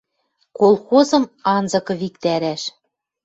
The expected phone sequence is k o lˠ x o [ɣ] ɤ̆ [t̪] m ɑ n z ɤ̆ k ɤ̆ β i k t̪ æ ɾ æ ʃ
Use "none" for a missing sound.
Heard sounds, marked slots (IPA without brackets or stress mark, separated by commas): z, none